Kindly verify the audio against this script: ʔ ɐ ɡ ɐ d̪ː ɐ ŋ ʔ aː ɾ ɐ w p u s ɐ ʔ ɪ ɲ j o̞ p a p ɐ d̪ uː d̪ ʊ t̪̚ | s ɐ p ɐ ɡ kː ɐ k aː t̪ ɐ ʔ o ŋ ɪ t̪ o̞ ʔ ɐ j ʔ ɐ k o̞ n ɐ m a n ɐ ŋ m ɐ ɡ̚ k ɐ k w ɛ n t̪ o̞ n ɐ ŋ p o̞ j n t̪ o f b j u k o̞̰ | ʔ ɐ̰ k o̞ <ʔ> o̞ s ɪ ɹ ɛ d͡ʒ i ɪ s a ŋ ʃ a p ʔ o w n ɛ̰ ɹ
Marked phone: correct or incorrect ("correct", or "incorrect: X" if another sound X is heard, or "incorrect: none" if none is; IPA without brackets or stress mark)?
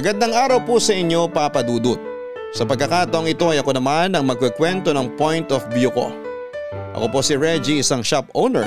incorrect: p